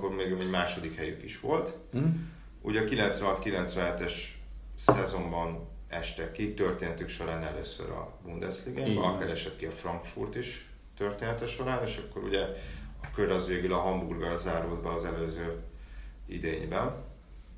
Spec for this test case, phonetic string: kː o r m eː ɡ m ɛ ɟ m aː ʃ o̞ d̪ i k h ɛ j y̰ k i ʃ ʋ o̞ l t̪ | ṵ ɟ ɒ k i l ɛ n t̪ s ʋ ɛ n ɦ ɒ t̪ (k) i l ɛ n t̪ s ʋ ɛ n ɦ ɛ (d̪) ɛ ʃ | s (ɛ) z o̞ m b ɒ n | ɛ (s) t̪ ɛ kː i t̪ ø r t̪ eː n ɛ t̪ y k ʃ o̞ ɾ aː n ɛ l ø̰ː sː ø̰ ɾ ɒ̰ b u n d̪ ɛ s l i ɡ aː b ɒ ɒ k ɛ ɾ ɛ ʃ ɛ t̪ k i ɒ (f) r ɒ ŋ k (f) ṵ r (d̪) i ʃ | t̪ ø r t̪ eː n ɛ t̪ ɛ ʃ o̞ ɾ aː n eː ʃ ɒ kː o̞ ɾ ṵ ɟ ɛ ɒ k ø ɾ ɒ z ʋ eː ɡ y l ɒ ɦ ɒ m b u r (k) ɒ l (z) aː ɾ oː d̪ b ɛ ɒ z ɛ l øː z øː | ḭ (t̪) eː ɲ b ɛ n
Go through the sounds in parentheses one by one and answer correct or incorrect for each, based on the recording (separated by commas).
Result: correct, incorrect, correct, incorrect, correct, correct, incorrect, incorrect, correct, incorrect